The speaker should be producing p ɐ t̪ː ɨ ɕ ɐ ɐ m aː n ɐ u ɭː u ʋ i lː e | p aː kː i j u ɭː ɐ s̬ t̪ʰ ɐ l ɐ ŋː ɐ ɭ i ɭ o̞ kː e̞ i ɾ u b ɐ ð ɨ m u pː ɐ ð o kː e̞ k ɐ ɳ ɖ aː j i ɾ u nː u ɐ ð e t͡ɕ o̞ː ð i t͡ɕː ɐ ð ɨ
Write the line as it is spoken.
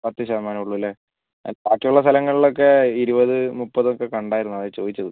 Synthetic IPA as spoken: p ɐ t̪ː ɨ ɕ ɐ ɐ m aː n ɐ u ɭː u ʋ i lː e | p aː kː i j u ɭː ɐ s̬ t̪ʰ ɐ l ɐ ŋː ɐ ɭ i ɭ o̞ kː e̞ i ɾ u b ɐ ð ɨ m u pː ɐ ð o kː e̞ k ɐ ɳ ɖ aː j i ɾ u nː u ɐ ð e t͡ɕ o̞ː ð i t͡ɕː ɐ ð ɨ

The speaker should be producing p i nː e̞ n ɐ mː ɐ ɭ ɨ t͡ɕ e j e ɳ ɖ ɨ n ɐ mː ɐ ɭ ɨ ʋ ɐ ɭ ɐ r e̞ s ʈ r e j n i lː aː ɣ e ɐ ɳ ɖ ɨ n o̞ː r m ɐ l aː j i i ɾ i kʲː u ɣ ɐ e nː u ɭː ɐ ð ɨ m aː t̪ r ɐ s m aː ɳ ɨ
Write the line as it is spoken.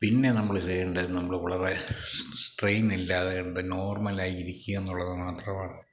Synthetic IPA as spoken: p i nː e̞ n ɐ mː ɐ ɭ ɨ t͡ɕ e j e ɳ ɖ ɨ n ɐ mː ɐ ɭ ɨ ʋ ɐ ɭ ɐ r e̞ s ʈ r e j n i lː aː ð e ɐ ɳ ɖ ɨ n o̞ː r m ɐ l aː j i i ɾ i kʲː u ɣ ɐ e nː u ɭː ɐ ð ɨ m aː t̪ r ɐ m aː ɳ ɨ

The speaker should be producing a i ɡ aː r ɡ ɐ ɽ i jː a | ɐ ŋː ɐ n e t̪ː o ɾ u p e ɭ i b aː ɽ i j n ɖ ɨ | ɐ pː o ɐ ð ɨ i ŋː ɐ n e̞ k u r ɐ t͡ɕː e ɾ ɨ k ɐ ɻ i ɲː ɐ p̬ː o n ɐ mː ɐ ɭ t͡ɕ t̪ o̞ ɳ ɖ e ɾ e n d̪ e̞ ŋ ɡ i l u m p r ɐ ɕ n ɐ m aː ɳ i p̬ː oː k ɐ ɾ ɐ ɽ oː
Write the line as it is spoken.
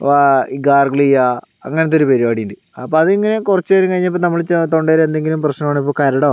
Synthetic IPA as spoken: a i ɡ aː r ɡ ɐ ɭ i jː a | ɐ ŋː ɐ n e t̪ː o ɾ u p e ɾ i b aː ɽ i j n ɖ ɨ | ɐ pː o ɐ ð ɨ i ŋː ɐ n e̞ k u r ɐ t͡ɕː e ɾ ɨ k ɐ ɻ i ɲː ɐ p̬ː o n ɐ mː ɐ ɭ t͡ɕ t̪ o̞ ɳ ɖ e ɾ e n d̪ e̞ ŋ ɡ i l u m p r ɐ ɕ n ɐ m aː ɳ i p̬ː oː k ɐ ɾ ɐ ɽ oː

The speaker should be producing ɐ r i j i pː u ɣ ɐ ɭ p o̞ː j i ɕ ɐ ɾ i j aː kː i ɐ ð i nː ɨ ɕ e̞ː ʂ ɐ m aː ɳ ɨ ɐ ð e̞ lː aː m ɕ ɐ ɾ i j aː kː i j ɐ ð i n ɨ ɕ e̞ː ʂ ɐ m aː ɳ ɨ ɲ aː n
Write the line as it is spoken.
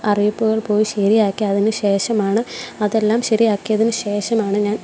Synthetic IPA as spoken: ɐ r i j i pː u ɣ ɐ ɭ p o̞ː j i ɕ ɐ ɾ i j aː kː i ɐ ð i n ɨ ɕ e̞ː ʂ ɐ m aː ɳ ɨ ɐ ð e̞ lː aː m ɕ ɐ ɾ i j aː kː i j ɐ ð i n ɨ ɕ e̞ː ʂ ɐ m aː ɳ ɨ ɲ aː n

